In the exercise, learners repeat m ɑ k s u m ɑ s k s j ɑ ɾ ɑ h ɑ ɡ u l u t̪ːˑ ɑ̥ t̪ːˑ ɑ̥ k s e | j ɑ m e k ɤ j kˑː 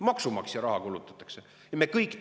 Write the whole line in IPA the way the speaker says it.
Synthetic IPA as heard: m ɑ k s u m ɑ k s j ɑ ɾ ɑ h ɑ k u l u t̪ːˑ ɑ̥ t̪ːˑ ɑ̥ k s e | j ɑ m e k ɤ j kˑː